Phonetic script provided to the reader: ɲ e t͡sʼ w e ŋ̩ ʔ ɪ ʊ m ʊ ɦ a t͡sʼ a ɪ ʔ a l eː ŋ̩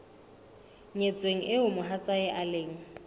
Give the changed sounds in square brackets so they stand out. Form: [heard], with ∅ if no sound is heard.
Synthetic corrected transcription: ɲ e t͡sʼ w e ŋ̩ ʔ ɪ ʊ m ʊ ɦ a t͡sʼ a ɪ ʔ a l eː ŋ̩

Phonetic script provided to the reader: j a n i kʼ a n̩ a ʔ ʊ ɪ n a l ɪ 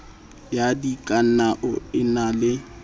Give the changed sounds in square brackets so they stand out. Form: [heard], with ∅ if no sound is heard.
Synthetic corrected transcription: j a [d] i kʼ a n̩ a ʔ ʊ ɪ n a l ɪ

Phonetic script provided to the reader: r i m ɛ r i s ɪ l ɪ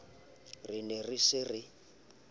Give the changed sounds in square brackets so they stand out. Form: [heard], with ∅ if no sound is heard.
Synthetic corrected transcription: r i [n] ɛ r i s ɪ [r] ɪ

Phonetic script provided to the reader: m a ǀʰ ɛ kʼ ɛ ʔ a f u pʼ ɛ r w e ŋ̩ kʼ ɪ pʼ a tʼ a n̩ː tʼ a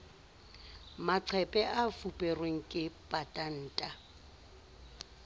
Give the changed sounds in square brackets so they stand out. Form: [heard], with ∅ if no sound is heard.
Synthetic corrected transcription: m a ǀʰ ɛ [pʼ] ɛ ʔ a f u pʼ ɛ r w e ŋ̩ kʼ ɪ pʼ a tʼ a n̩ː tʼ a

